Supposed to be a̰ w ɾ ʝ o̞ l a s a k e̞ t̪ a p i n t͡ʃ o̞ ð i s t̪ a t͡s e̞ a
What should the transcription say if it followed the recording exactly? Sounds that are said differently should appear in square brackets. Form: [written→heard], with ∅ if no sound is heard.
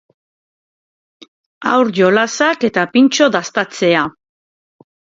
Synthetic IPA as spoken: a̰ w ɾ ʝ o̞ l a s a k e̞ t̪ a p i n t͡ʃ o̞ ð [i→a] s t̪ a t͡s e̞ a